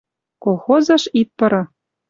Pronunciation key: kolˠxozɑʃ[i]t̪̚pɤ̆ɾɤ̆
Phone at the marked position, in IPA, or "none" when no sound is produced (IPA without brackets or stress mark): i